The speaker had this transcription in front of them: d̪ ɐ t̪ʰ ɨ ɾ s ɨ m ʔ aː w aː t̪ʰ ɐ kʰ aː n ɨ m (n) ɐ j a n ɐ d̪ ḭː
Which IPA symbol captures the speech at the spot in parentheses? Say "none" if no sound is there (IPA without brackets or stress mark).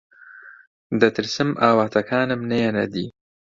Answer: n